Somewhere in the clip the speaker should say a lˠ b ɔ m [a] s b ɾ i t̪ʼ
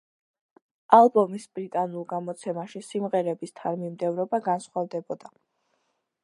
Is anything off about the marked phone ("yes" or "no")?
yes